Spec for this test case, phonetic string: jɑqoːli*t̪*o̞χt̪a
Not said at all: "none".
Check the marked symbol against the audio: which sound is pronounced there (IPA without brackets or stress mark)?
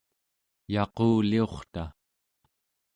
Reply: none